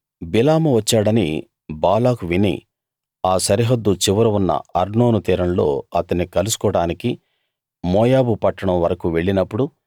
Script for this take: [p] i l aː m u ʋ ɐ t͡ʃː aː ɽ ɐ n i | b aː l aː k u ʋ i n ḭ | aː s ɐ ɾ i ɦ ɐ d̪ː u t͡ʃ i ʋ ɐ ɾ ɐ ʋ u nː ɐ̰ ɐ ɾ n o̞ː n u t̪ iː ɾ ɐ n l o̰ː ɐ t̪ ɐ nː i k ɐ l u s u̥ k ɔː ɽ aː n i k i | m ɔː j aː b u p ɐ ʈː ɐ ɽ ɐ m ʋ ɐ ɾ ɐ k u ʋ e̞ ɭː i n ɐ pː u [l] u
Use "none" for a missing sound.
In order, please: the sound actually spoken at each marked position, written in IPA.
b, ɽ

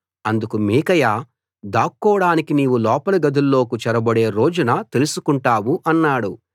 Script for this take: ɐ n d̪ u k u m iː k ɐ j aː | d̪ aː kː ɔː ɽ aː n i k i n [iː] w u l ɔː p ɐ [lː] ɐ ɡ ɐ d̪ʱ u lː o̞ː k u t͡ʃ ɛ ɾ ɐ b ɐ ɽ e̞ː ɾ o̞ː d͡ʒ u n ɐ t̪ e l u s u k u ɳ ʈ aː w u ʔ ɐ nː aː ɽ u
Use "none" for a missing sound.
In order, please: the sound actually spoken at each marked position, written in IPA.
iː, l

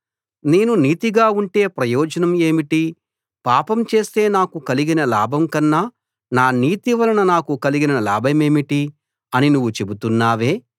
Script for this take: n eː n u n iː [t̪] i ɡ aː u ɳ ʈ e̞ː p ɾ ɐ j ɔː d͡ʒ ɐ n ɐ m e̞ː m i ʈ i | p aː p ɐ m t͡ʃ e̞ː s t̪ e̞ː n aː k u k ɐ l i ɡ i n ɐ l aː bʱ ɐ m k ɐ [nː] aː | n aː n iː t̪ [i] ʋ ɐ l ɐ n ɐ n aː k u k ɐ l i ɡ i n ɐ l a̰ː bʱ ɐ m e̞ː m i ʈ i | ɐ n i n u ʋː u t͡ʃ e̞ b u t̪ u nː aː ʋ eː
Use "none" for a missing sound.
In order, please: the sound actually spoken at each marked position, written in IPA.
t̪, nː, i

